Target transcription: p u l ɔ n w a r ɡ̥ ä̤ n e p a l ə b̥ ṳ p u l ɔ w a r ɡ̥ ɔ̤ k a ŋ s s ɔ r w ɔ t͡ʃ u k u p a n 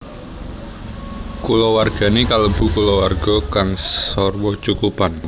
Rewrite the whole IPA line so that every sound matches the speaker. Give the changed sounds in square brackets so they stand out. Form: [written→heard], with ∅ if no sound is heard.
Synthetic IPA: [p→k] u l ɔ [n→∅] w a r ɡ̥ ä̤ n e [p→k] a l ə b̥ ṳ [p→k] u l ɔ w a r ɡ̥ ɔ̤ k a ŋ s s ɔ r w ɔ t͡ʃ u k u p a n